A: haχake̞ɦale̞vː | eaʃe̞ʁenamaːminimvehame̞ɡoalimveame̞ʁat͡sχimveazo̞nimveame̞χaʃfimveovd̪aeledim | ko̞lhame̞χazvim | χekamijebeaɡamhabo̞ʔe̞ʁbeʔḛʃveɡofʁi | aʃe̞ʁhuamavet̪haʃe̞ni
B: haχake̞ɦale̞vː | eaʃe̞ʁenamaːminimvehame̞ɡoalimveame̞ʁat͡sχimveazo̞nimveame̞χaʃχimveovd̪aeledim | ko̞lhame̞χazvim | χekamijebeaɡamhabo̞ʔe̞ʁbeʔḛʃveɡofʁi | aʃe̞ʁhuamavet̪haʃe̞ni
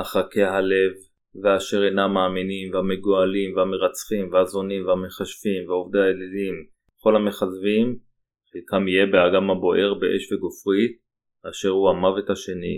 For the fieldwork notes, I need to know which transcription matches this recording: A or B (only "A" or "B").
A